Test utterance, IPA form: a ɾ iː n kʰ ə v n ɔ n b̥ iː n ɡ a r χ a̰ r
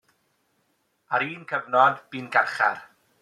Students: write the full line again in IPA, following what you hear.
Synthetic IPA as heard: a ɾ iː n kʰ ə v n ɔ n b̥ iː n ɡ a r χ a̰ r

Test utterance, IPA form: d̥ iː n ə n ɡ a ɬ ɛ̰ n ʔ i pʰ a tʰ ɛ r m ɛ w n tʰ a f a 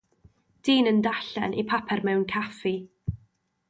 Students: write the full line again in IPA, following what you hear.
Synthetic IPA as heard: d̥ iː n ə n d a ɬ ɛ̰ n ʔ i pʰ a pʰ ɛ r m ɛ w n kʰ a f i

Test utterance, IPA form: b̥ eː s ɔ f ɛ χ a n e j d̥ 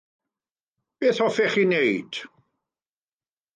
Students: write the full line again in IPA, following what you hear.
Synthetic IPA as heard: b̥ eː θ ɔ f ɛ χ i n e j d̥

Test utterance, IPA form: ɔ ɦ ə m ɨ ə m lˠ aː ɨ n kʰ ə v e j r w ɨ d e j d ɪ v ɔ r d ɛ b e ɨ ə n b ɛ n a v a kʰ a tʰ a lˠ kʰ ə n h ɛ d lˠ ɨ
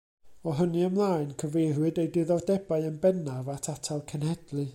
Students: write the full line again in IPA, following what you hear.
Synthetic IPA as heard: ɔ ɦ ə n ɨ ə m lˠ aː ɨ n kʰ ə v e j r w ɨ d e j d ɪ ð ɔ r d ɛ b a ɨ ə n b ɛ n a v a tʰ a tʰ a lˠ kʰ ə n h ɛ d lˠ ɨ

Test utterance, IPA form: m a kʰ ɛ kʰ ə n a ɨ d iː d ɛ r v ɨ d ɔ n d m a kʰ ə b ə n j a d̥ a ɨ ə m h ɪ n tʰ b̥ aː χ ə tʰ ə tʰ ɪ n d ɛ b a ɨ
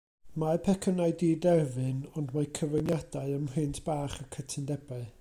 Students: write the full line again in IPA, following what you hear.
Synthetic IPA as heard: m a pʰ ɛ kʰ ə n a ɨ d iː d ɛ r v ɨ n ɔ n d m a kʰ ə v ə n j a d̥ a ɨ ə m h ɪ n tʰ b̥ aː χ ə kʰ ə tʰ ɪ n d ɛ b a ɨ

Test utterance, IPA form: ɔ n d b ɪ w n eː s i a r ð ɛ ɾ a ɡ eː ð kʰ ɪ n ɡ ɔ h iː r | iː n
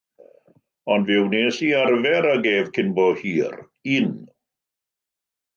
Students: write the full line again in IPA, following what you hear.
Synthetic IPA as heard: ɔ n d v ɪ w n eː s i a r v ɛ ɾ a ɡ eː v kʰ ɪ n b ɔ h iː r | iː n

